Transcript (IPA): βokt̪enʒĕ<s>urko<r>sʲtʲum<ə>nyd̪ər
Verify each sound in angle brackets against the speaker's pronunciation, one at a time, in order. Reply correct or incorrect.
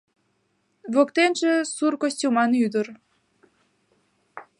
correct, incorrect: none, incorrect: ɑ

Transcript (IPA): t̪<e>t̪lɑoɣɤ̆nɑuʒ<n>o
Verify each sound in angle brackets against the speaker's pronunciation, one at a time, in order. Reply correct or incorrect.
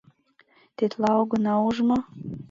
correct, incorrect: m

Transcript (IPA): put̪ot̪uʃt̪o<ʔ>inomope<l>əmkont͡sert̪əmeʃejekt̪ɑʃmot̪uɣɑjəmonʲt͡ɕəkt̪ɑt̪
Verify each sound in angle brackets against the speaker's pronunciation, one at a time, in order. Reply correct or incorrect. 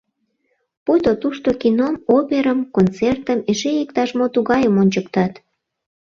incorrect: k, incorrect: ɾ

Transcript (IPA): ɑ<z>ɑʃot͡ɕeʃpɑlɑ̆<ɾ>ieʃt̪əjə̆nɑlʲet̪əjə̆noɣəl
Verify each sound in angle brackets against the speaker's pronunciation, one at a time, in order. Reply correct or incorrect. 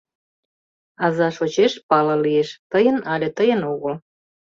correct, incorrect: l

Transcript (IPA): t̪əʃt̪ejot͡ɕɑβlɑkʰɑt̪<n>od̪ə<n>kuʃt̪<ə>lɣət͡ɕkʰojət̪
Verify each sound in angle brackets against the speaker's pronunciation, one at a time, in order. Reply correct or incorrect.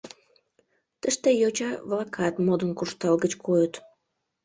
incorrect: m, correct, incorrect: ɑ

